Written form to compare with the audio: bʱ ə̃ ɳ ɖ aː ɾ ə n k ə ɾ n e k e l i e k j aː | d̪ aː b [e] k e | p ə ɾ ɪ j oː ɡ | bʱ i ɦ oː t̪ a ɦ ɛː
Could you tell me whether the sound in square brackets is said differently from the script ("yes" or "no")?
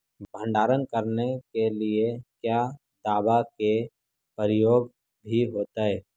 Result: yes